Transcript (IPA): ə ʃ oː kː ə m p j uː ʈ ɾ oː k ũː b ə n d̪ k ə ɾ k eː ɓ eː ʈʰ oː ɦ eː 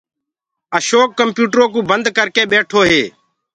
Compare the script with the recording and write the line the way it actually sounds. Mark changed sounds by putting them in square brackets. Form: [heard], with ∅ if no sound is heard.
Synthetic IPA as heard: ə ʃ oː kː ə m p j uː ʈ ɾ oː k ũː b ə n d̪ k ə ɾ k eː ɓ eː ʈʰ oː ɦ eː